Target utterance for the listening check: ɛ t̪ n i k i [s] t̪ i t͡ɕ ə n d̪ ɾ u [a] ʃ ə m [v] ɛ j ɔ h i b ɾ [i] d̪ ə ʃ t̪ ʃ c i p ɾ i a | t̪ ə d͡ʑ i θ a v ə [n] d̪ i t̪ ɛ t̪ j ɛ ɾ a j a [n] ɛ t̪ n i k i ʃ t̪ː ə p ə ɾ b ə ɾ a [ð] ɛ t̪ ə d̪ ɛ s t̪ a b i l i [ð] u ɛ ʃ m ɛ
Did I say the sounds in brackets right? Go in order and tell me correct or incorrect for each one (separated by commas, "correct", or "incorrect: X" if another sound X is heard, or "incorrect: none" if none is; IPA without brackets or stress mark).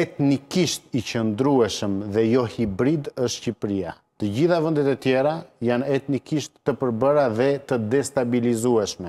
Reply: incorrect: ʃ, incorrect: ɛ, incorrect: ð, correct, correct, correct, correct, incorrect: z